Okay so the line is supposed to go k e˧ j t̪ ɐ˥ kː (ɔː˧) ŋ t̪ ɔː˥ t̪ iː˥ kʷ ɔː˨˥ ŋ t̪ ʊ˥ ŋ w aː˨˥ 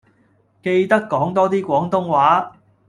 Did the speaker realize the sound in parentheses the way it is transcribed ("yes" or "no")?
no